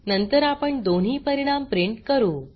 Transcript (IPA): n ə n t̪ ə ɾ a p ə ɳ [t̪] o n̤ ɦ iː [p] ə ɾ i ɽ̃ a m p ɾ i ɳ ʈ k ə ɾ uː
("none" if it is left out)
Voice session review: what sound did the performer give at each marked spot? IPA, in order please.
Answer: d̪, p

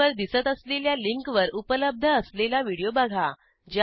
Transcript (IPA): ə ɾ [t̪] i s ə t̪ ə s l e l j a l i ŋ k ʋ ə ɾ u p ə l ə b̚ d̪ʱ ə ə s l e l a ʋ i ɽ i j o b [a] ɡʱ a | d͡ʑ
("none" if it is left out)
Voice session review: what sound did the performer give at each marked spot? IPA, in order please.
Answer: d̪, a

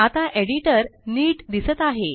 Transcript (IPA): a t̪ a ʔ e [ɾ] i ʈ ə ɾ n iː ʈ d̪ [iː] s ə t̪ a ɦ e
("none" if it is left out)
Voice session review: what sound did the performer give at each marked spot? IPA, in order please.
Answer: ɽ, i

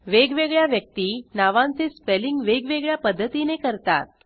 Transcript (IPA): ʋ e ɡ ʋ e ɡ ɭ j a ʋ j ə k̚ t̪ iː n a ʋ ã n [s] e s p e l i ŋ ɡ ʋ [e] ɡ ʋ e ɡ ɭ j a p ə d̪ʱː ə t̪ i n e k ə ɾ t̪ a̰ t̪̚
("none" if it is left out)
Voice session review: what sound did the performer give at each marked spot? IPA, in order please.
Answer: t͡s, e

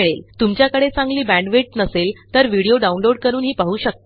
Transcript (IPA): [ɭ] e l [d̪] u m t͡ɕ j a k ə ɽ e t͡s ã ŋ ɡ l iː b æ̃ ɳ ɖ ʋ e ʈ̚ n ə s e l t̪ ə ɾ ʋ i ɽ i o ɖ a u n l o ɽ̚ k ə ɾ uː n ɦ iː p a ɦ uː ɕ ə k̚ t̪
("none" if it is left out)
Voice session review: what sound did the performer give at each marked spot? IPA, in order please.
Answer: ɭ, t̪

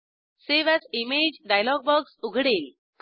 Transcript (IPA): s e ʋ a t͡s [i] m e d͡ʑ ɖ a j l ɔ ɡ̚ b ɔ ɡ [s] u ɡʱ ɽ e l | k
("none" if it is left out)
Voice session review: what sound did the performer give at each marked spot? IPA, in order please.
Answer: i, s

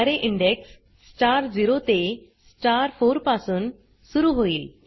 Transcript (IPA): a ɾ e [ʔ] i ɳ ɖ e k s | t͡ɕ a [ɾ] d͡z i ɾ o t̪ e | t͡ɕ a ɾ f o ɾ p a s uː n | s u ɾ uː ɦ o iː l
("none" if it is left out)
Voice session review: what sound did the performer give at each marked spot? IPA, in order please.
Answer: ʔ, ɾ

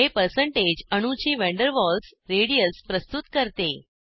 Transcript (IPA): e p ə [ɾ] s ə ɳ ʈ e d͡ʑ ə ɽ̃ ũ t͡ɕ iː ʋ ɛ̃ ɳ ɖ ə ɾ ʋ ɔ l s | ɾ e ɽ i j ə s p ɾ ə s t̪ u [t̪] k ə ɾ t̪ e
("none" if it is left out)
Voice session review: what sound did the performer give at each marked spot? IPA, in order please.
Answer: ɾ, t̪

